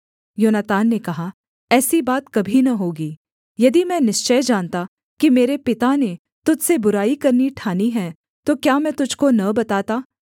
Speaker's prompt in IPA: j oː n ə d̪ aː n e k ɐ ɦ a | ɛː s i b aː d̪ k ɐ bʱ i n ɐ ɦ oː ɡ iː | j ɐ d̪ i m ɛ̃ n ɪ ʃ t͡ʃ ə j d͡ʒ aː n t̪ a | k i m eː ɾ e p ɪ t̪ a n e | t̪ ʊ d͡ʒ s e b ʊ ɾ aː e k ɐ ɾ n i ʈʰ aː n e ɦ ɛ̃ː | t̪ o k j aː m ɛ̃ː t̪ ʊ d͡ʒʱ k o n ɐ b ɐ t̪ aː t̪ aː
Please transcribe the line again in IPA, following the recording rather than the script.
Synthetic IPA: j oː n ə t̪ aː nː e k ɐ ɦ a | ɛː s i b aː t̪ k ɐ bʱ i n ɐ ɦ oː ɡ iː | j ɐ d̪ i m ɛ̃ n ɪ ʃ t͡ʃ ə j d͡ʒ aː n t̪ a | k i m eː ɾ e p ɪ t̪ a n e | t̪ ʊ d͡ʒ s e b ʊ ɾ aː i k ɐ ɾ n i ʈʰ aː n i ɦ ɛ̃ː | t̪ o k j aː m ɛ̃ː t̪ ʊ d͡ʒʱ k o n ɐ b ɐ t̪ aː t̪ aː